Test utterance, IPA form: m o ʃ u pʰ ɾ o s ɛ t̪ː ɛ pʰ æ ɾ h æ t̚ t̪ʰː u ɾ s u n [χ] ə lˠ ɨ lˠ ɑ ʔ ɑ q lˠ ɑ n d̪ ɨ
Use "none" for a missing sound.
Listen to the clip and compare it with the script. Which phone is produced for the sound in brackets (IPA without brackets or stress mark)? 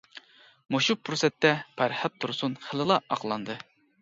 χ